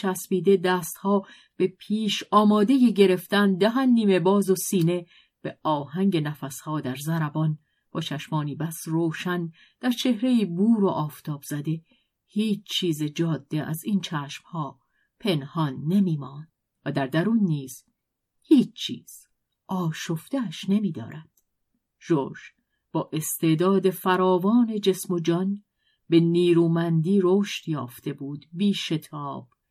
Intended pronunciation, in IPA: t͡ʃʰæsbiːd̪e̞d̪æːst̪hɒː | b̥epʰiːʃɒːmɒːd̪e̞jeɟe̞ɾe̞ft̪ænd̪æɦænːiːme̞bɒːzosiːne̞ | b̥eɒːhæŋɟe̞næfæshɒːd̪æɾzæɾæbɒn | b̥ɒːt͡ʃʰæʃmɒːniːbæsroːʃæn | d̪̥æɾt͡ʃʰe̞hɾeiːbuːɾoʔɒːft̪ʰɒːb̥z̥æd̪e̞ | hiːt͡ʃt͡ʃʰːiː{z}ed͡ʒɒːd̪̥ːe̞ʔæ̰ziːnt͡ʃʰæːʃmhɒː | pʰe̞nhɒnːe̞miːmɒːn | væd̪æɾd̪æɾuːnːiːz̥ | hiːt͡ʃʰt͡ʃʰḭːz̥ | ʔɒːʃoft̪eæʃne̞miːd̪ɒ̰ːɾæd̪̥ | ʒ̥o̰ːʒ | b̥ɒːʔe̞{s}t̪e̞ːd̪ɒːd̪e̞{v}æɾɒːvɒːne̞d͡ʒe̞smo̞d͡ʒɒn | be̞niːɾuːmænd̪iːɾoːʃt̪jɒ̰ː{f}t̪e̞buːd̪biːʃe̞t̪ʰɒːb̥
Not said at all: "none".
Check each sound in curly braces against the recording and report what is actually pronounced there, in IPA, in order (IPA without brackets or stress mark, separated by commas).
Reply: z, s, f, f